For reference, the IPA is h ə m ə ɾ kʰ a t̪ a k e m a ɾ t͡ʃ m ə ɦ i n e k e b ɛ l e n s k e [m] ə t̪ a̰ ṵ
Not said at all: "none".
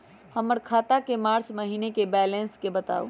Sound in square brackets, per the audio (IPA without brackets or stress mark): b